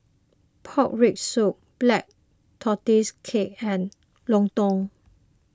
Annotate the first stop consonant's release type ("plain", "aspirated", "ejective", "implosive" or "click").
aspirated